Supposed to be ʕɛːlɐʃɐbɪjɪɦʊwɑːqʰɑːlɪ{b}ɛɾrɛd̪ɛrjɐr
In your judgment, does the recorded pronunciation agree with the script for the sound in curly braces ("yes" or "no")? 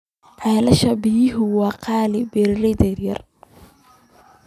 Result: yes